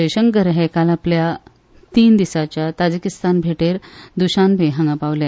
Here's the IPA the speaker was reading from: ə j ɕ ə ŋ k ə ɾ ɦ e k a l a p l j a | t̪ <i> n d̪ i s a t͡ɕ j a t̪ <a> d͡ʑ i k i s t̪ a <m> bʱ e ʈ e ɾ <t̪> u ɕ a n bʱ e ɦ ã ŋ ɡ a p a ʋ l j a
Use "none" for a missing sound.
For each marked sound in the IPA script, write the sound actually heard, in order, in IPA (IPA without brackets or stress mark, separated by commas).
iː, a, n, d̪